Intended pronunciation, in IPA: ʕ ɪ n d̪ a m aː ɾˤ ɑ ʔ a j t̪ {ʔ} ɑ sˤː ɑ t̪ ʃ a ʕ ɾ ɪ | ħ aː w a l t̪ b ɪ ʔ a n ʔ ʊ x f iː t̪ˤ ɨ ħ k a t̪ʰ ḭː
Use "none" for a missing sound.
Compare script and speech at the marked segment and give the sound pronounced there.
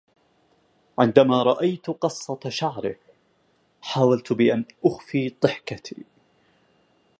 q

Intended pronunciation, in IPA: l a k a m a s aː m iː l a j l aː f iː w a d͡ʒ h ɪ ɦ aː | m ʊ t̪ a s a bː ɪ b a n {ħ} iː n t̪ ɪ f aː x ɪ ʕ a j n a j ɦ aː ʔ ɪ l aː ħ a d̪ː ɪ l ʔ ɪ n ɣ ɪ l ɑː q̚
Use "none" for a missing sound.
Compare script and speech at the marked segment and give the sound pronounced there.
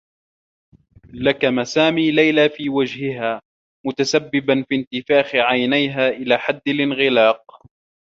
f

